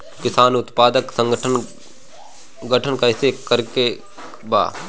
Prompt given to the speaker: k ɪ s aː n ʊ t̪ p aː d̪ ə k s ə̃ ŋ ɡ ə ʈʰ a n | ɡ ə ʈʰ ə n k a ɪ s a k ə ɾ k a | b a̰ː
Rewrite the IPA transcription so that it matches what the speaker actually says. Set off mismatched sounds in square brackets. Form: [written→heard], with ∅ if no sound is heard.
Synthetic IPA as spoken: k ɪ s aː n ʊ t̪ p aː d̪ ə k s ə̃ ŋ ɡ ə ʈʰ [a→ə] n | ɡ ə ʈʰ ə n k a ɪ s [a→e] k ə ɾ k [a→e] | b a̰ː